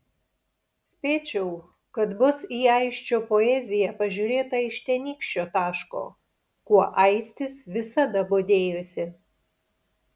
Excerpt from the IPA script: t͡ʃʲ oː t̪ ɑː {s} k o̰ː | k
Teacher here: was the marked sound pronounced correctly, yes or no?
no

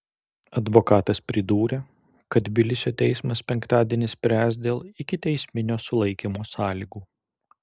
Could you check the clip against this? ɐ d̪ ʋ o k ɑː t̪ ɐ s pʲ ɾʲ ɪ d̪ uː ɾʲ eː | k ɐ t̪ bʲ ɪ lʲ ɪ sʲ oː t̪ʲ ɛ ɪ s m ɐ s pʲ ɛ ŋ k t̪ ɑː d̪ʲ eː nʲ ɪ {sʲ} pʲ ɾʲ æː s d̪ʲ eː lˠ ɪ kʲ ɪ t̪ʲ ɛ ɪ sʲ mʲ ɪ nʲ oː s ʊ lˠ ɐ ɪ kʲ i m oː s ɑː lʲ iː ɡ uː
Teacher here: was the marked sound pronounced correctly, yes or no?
yes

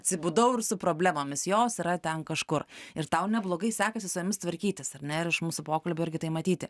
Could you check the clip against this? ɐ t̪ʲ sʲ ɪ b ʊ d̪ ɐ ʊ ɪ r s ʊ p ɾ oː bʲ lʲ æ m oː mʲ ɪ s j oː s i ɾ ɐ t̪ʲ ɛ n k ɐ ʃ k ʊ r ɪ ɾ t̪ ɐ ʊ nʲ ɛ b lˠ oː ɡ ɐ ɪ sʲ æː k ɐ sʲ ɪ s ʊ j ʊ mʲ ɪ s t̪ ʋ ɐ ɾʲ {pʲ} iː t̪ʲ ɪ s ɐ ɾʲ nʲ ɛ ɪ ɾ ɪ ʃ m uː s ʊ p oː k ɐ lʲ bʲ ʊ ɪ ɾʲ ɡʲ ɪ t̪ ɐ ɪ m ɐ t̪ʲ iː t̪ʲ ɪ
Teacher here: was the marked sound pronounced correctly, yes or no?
no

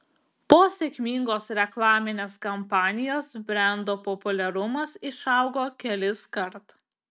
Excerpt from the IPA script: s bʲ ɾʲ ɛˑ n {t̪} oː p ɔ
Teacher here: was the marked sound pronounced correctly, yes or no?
no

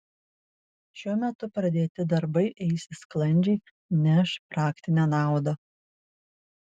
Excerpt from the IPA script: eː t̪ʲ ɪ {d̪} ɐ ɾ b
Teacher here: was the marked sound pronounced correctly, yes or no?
yes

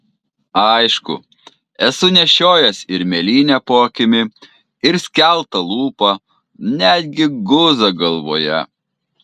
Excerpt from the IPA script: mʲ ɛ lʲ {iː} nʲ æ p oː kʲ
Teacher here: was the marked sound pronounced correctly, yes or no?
yes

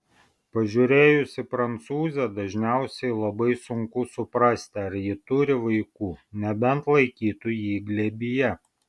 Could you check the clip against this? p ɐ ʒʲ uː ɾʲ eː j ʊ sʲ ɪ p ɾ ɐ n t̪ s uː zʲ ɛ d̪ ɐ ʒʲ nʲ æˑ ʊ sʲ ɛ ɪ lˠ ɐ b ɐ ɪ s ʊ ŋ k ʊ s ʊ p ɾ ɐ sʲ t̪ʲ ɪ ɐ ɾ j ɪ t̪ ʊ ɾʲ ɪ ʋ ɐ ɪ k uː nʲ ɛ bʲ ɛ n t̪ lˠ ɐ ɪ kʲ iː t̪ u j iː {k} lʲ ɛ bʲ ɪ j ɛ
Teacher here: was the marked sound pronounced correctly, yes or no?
no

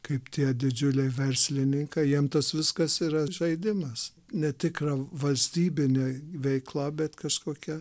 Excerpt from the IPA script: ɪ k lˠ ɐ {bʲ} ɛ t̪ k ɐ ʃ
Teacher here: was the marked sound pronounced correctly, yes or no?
yes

